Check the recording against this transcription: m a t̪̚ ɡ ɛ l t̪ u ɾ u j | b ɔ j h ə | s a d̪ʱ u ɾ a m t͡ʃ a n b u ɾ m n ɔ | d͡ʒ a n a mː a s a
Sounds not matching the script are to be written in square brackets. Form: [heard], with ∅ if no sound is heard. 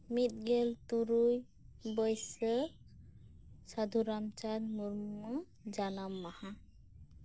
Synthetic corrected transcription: m [i] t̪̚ ɡ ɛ l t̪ u ɾ u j | b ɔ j [s] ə | s a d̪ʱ u ɾ a m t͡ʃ a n [m] u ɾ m [m] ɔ | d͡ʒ a n a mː a [h] a